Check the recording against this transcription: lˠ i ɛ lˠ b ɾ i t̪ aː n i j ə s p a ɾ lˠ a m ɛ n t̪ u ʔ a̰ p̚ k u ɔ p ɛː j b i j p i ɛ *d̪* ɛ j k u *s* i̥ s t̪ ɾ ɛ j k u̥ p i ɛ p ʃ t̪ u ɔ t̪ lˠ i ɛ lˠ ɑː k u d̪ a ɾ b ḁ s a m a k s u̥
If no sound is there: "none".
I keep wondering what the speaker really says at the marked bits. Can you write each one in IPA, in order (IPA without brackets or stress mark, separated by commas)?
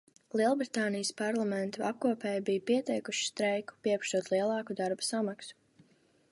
t̪, ʃ